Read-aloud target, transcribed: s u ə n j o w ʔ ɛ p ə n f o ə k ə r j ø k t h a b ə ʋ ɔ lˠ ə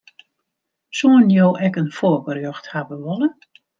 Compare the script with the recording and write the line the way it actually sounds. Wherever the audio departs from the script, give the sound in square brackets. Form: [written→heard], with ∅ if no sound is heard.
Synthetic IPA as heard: s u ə n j o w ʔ ɛ [p→k] ə n f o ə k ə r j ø [k→x] t h a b ə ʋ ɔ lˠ ə